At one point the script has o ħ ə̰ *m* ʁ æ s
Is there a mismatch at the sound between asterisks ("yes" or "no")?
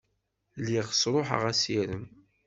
yes